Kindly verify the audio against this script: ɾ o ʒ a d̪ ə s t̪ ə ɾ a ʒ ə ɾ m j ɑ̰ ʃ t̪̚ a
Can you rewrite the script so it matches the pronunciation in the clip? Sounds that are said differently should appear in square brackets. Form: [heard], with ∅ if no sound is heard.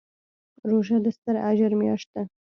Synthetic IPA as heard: ɾ o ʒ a d̪ ə s t̪ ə ɾ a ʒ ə ɾ m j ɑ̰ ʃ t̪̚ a